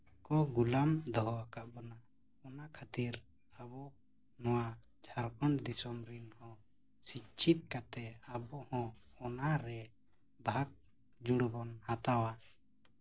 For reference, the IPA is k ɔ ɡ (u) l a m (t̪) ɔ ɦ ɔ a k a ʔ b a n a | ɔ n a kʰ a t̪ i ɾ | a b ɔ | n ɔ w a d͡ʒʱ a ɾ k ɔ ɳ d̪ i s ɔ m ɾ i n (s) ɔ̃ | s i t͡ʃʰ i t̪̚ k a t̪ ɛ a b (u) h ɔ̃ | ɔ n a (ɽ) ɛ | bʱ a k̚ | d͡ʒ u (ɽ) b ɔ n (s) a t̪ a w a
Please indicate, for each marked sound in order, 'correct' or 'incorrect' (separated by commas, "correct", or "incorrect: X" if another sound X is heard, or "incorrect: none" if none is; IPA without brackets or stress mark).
correct, incorrect: d̪, incorrect: h, incorrect: ɔ, incorrect: ɾ, correct, incorrect: h